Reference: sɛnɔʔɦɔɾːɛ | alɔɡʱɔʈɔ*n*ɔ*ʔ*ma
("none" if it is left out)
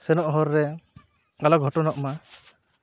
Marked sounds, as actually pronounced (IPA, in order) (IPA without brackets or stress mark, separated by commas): n, ʔ